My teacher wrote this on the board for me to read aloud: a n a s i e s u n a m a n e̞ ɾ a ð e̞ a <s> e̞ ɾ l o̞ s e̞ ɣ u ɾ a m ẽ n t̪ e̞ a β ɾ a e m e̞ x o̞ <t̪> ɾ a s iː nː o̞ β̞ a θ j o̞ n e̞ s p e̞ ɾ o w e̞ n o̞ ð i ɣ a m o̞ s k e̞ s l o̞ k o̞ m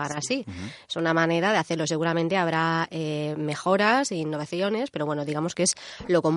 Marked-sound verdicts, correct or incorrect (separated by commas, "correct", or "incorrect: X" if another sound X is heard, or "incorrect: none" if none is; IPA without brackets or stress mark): incorrect: θ, incorrect: none